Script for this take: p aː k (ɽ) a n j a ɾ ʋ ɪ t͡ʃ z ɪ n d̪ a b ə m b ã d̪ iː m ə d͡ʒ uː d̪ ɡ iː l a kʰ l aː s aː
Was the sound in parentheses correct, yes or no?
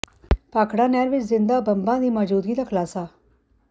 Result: yes